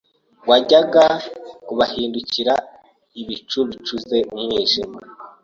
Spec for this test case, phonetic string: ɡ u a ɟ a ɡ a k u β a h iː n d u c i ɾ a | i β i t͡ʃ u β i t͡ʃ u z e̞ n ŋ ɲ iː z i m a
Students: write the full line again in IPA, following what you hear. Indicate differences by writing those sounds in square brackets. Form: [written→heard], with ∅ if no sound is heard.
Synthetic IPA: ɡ [u→w] a ɟ a ɡ a k u β a h iː n d u c i ɾ a | i β i t͡ʃ u β i t͡ʃ u z e̞ [n→m] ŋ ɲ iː [z→ʒ] i m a